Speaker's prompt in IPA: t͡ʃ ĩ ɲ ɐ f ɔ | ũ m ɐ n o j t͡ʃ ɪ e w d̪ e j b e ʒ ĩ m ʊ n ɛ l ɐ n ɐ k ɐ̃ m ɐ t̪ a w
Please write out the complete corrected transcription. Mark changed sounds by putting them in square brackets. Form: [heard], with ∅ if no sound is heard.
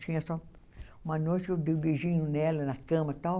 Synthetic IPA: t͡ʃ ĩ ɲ ɐ [s] ɔ | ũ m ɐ n o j t͡ʃ ɪ e w d̪ e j b e ʒ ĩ [ɲ] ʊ n ɛ l ɐ n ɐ k ɐ̃ m ɐ t̪ a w

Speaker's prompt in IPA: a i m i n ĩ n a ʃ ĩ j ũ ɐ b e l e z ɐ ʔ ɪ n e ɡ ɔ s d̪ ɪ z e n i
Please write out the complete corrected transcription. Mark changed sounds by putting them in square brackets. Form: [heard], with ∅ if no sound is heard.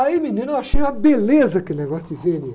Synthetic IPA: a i m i n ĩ n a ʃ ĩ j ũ ɐ b e l e z ɐ [k] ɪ n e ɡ ɔ s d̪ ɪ [v] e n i

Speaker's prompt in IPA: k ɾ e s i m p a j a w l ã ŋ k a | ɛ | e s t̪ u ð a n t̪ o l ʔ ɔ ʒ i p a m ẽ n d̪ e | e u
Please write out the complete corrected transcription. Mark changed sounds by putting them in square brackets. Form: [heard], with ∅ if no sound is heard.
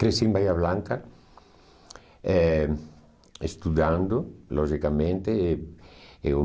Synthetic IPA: k ɾ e s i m [b] a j a [β] l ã ŋ k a | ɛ | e s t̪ u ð a n [d̪] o l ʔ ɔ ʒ i [k] a m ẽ n [t̪] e | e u

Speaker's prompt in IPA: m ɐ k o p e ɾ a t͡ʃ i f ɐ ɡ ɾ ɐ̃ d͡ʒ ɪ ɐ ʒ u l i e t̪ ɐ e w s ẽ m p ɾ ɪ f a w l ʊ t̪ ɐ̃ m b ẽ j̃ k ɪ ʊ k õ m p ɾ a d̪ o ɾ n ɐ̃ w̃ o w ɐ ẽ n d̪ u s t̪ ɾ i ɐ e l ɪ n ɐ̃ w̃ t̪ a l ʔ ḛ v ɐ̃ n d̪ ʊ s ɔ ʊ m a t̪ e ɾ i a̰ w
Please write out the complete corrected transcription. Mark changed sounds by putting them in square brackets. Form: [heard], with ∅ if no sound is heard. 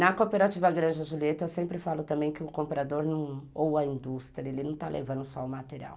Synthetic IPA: [n] ɐ k o p e ɾ a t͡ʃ i [v] ɐ ɡ ɾ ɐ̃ d͡ʒ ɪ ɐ ʒ u l i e t̪ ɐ e w s ẽ m p ɾ ɪ f a [∅] l ʊ t̪ ɐ̃ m b ẽ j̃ k ɪ ʊ k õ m p ɾ a d̪ o ɾ n ɐ̃ w̃ o w ɐ [ĩ] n d̪ u s t̪ ɾ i ɐ e l ɪ n ɐ̃ w̃ t̪ a l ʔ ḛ v ɐ̃ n d̪ ʊ s ɔ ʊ m a t̪ e ɾ i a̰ w

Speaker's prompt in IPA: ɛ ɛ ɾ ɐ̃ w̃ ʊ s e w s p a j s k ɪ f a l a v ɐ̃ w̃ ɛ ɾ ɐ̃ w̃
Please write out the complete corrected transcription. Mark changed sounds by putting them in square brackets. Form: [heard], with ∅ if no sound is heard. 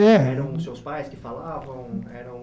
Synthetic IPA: ɛ ɛ ɾ ɐ̃ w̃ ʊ s e w s p a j s k ɪ f a l a v ɐ̃ w̃ ɛ ɾ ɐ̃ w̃

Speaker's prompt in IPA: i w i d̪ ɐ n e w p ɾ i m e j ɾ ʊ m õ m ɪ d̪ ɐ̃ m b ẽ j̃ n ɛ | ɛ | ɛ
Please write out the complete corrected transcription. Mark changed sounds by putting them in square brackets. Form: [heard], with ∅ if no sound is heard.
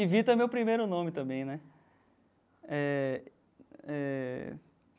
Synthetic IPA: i [v] i [t̪] ɐ [m] e w p ɾ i m e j ɾ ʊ [n] õ m ɪ [t̪] ɐ̃ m b ẽ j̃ n ɛ | ɛ | ɛ

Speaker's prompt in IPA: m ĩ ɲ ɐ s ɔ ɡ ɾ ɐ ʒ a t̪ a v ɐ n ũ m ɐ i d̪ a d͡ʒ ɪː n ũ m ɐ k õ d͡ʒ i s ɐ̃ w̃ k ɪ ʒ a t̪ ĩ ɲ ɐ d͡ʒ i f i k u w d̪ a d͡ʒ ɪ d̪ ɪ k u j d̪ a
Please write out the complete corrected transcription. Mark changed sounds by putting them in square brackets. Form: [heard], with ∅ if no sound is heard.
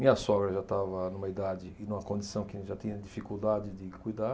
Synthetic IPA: m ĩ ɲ ɐ s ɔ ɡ ɾ ɐ ʒ a t̪ a v ɐ n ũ m ɐ i d̪ a d͡ʒ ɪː n ũ m ɐ k õ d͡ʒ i s ɐ̃ w̃ k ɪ ʒ a t̪ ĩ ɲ ɐ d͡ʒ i f i k u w d̪ a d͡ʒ ɪ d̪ ɪ k u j d̪ a

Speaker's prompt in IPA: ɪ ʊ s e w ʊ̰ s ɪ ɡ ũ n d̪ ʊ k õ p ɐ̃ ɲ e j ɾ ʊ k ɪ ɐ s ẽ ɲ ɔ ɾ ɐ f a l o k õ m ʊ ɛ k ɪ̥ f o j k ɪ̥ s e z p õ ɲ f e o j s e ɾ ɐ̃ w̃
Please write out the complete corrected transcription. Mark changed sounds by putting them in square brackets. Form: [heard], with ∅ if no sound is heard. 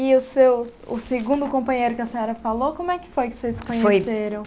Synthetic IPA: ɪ ʊ s e w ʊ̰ s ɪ ɡ ũ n d̪ ʊ k õ p ɐ̃ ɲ e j ɾ ʊ k ɪ ɐ s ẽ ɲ ɔ ɾ ɐ f a l o k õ m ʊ ɛ k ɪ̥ f o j k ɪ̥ s e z [k] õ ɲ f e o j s e ɾ ɐ̃ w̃

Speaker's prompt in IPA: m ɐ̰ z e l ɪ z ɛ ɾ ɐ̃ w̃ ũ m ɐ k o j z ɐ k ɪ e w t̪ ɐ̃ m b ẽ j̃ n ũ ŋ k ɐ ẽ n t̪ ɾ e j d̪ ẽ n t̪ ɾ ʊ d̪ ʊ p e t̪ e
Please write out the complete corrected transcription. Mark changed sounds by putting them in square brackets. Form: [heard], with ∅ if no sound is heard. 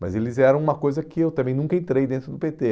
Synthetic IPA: m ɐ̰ z e l ɪ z ɛ ɾ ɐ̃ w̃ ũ m ɐ k o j z ɐ k ɪ e w t̪ ɐ̃ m b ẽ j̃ n ũ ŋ k ɐ ẽ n t̪ ɾ e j d̪ ẽ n t̪ ɾ ʊ d̪ ʊ p e t̪ e

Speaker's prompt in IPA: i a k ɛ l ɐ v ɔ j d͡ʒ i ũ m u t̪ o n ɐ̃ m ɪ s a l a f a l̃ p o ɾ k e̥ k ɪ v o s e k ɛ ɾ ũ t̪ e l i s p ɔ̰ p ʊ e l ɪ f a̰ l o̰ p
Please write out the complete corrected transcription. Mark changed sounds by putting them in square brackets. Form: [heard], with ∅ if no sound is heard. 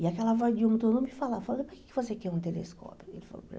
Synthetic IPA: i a k ɛ l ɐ v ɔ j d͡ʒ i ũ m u t̪ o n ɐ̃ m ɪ [f] a l a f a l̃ p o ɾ k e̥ k ɪ v o s e k ɛ ɾ ũ t̪ e l [e] s [k] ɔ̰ p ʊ e l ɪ f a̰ l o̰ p

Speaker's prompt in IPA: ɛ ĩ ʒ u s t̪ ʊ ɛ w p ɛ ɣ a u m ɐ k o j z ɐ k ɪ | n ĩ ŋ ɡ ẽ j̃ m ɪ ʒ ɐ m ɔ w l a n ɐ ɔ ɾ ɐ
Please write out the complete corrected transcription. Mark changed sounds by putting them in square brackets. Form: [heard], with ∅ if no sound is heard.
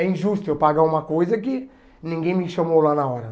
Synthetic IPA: ɛ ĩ ʒ u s t̪ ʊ ɛ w p [a] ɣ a u m ɐ k o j z ɐ k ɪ | n ĩ ŋ ɡ ẽ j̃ m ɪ [ʃ] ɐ m [o] w l a n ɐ ɔ ɾ ɐ

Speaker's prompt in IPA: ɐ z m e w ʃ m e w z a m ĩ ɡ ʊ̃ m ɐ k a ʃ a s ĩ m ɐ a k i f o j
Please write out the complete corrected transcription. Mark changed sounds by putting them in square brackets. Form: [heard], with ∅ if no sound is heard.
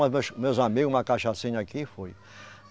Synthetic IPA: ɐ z m e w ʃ m e w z a m [i] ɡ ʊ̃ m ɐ k a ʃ a s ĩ [ɲ] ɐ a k i f o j

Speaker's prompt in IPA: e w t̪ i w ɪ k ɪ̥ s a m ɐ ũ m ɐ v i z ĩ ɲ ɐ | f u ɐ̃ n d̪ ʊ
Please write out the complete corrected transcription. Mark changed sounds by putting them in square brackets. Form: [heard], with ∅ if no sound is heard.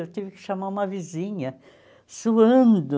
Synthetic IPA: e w t̪ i [v] ɪ k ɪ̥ [ʃ] a m [a] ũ m ɐ v i z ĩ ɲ ɐ | [s] u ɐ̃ n d̪ ʊ

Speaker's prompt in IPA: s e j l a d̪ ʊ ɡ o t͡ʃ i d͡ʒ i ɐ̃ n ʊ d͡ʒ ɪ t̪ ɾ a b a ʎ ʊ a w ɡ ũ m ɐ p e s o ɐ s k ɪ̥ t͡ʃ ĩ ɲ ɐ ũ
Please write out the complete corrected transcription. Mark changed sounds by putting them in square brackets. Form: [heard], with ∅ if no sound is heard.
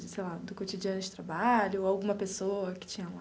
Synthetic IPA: s e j l a d̪ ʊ [k] o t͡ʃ i d͡ʒ i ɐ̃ n ʊ d͡ʒ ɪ t̪ ɾ a b a ʎ ʊ a w ɡ ũ m ɐ p e s o ɐ [∅] k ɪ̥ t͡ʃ ĩ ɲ ɐ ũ

